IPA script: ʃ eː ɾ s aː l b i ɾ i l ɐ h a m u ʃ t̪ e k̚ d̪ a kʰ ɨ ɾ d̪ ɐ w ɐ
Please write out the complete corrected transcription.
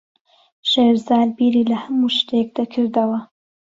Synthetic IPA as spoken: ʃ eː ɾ z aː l b i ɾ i l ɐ h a m u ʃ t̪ e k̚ d̪ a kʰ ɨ ɾ d̪ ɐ w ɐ